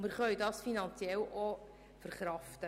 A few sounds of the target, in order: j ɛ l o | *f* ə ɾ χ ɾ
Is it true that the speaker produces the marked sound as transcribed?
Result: yes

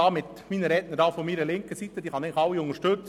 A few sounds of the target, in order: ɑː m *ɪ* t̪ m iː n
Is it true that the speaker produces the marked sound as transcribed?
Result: yes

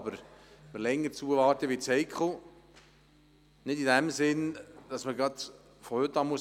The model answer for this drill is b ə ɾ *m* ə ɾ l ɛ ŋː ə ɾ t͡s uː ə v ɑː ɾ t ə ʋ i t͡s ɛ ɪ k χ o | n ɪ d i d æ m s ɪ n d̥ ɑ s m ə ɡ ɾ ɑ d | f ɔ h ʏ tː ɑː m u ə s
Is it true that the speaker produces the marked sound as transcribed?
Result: yes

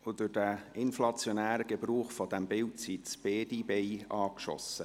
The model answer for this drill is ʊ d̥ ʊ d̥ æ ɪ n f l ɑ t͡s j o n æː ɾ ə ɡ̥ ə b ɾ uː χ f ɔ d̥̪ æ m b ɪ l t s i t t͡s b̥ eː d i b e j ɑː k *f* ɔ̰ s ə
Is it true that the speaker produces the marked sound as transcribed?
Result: no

